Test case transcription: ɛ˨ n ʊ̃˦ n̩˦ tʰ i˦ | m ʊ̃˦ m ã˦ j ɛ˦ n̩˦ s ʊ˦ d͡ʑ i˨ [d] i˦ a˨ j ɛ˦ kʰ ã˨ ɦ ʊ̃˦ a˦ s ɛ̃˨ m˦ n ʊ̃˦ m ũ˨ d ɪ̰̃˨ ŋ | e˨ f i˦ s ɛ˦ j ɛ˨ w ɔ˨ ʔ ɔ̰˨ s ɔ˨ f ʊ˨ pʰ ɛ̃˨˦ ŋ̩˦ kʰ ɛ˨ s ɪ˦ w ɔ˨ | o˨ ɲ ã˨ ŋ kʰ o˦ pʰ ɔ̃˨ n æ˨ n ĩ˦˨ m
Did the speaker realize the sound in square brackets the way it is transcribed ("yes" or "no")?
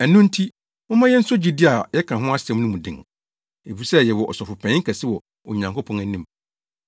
yes